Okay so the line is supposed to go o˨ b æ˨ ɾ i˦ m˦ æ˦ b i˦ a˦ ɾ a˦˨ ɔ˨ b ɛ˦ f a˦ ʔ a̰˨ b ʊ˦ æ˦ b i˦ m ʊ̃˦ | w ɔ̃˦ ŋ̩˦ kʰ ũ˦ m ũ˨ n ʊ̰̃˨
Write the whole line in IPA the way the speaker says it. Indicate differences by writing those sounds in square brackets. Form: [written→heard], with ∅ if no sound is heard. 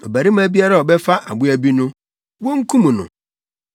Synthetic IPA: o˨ b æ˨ ɾ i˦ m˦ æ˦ b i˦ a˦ ɾ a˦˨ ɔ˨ b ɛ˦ f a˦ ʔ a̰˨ b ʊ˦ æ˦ b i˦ [m→n] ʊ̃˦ | w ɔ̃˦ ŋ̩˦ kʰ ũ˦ m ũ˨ n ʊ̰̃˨

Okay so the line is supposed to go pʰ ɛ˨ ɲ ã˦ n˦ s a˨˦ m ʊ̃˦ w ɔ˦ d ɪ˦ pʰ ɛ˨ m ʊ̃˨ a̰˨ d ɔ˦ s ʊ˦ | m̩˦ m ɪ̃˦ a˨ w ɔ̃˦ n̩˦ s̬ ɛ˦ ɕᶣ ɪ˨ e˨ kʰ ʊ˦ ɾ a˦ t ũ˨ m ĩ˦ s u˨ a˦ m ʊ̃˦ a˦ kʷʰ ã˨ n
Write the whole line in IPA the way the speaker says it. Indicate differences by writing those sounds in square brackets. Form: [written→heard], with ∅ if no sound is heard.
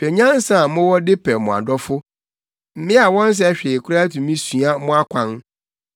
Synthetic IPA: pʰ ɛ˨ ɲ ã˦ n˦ s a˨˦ m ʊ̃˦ w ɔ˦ d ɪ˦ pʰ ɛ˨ m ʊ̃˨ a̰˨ d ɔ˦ [s→f] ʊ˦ | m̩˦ m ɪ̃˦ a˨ w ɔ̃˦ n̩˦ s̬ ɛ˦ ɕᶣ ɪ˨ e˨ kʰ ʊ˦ ɾ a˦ t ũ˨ m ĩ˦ s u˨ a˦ m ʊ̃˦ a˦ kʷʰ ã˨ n

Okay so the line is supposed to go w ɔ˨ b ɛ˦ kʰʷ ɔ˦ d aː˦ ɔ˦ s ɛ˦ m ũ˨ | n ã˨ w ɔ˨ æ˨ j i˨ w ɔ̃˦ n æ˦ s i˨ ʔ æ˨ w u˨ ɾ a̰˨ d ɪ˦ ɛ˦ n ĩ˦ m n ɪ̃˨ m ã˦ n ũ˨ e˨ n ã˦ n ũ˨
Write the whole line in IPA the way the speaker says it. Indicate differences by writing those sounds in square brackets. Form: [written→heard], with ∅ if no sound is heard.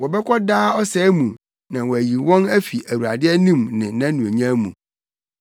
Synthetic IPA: w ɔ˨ b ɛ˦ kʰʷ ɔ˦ d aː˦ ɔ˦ s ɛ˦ m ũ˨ | n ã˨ w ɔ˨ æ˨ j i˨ w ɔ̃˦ n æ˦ [s→f] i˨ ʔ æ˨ w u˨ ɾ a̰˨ d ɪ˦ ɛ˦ n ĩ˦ m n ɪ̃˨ [m→n] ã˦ n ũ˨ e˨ [n→ɲ] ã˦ [n→m] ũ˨

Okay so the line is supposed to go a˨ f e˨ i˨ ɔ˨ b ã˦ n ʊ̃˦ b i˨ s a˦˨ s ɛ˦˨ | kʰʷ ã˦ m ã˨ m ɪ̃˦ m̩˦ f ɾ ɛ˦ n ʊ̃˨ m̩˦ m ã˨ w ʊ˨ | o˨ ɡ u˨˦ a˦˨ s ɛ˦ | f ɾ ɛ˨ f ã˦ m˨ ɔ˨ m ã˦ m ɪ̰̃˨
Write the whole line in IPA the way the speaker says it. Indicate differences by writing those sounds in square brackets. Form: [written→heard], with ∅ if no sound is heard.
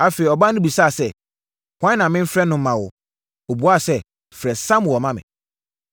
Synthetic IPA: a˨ f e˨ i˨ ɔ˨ b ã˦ n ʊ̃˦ b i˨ s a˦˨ s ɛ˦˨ | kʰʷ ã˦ [m→n] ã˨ m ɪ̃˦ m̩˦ f ɾ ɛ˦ n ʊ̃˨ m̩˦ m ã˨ w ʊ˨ | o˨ [ɡ→b] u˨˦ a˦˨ s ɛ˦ | f ɾ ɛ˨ [f→s] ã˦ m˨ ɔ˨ m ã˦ m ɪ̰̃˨

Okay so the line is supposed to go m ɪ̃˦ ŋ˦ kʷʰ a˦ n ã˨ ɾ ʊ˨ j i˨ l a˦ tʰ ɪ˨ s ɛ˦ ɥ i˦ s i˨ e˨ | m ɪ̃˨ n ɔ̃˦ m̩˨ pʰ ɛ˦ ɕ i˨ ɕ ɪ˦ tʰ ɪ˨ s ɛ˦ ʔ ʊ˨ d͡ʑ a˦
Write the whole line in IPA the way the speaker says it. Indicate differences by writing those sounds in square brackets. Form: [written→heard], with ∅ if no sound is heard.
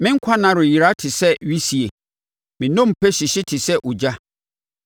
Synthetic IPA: m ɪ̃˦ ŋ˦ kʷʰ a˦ n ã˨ ɾ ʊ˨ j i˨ [l→ɾ] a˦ tʰ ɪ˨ s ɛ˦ ɥ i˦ s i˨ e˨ | m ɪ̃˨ n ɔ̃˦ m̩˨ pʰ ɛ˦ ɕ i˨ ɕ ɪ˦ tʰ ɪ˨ s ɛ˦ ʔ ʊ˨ d͡ʑ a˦

